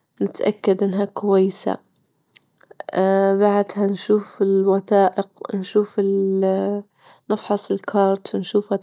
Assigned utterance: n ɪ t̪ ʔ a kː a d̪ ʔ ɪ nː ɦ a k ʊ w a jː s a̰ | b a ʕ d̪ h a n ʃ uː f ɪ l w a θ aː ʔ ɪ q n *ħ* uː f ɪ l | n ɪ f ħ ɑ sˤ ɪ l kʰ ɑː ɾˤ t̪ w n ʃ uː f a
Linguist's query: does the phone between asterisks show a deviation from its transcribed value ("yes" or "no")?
yes